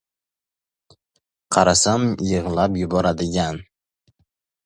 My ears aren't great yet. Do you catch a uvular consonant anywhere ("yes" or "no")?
yes